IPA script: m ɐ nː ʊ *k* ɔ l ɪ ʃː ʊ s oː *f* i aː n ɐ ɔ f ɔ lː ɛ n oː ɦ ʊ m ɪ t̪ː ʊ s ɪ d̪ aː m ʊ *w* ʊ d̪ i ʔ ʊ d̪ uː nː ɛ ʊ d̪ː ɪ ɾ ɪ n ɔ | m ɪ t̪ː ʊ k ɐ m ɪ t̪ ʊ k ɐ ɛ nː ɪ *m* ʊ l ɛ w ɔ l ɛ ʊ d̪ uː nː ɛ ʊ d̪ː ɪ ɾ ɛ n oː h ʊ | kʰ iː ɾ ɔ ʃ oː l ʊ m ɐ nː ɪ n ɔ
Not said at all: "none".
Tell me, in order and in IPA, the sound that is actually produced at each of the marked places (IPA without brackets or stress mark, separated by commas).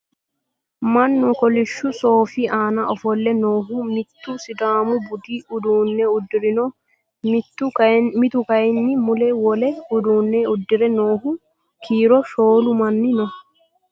k, f, b, m